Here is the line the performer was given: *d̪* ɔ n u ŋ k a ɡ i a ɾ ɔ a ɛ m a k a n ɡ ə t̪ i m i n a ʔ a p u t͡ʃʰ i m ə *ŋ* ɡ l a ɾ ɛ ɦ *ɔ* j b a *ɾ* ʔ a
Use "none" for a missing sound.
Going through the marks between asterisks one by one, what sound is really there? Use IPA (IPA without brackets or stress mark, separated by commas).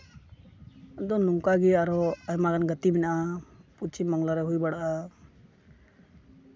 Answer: d̪, ŋ, u, ɽ